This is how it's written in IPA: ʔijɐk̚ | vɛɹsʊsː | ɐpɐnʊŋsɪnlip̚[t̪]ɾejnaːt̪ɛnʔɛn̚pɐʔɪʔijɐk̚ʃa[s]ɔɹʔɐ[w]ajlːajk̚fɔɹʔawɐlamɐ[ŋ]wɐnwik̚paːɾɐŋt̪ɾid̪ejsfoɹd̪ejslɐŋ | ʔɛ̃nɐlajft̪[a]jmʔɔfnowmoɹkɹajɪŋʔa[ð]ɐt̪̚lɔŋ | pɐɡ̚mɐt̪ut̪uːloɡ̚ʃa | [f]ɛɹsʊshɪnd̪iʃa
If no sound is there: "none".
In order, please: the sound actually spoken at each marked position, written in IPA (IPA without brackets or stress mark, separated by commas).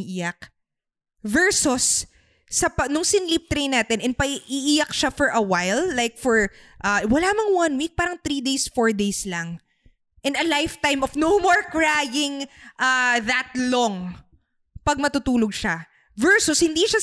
t̪, f, w, ŋ, a, ð, v